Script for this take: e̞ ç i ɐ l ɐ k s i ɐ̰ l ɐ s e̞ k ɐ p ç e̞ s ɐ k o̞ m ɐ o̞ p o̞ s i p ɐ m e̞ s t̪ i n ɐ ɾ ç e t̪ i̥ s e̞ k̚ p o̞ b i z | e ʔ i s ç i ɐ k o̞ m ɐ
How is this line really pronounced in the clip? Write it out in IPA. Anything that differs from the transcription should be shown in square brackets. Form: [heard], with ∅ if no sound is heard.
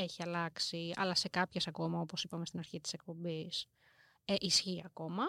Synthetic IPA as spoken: e̞ ç i ɐ l ɐ k s i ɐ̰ l ɐ s e̞ k ɐ p ç e̞ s ɐ k o̞ m ɐ o̞ p o̞ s i p ɐ m e̞ s t̪ i n ɐ ɾ ç [i] t̪ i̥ s e̞ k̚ p o̞ b i [s] | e ʔ i s ç i ɐ k o̞ m ɐ